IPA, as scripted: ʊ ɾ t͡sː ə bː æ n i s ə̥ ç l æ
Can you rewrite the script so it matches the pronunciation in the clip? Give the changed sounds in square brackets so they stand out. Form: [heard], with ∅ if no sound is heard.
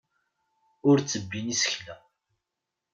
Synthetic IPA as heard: ʊ ɾ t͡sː ə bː [i] n i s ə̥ ç l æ